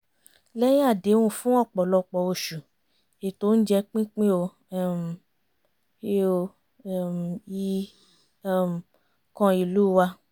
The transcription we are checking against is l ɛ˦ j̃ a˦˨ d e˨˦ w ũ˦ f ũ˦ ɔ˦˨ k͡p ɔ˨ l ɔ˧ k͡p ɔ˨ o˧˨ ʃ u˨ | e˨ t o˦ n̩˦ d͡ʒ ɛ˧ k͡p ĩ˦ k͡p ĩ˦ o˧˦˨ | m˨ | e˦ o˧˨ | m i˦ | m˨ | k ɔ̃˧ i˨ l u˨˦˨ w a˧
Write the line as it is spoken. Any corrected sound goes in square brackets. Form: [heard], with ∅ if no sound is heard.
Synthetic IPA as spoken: l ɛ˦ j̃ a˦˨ d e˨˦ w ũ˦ f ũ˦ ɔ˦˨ k͡p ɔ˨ l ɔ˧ k͡p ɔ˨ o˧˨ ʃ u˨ | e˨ t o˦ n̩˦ d͡ʒ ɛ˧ k͡p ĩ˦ k͡p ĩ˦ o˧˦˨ | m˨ | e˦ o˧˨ | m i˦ | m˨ | k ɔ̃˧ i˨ l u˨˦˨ w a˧